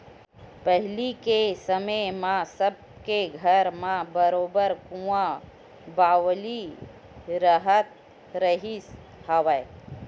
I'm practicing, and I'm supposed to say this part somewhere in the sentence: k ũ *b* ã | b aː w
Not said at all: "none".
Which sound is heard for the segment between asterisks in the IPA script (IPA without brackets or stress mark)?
none